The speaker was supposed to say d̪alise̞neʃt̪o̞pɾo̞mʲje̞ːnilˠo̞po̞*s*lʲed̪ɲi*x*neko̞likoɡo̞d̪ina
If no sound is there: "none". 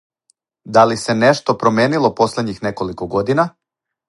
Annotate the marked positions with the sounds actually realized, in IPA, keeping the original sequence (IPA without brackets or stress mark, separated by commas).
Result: s, x